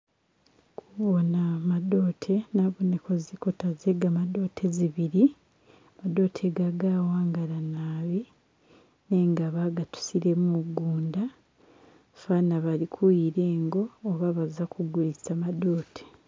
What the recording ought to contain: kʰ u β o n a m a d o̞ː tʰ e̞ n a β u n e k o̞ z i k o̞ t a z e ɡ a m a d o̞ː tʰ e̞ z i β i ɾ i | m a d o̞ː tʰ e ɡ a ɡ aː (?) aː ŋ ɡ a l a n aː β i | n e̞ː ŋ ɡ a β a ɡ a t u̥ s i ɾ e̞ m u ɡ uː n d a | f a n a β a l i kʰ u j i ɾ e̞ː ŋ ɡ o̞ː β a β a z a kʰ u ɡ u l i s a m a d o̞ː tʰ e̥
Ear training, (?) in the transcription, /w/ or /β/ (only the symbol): w